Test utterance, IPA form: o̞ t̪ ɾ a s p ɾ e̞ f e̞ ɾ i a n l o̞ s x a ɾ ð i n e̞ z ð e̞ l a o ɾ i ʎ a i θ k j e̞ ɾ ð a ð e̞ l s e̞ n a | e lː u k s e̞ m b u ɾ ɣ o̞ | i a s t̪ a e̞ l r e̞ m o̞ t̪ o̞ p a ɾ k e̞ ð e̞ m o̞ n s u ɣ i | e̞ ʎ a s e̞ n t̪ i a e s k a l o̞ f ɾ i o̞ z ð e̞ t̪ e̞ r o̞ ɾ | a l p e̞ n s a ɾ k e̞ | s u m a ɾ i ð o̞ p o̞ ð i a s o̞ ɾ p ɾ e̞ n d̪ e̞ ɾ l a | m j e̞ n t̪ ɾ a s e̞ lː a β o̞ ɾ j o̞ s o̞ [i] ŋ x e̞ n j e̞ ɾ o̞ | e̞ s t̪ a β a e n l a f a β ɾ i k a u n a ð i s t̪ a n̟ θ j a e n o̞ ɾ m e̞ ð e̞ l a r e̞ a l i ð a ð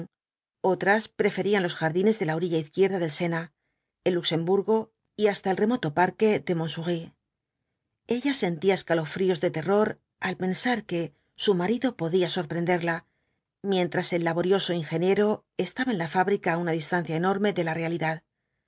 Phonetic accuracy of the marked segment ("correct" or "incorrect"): correct